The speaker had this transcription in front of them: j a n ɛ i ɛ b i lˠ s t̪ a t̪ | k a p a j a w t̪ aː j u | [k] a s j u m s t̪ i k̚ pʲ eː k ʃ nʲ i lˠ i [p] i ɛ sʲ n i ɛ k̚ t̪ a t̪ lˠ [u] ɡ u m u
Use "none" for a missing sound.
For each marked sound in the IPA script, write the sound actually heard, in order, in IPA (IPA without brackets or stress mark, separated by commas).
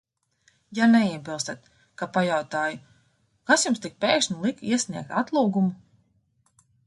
k, k, uː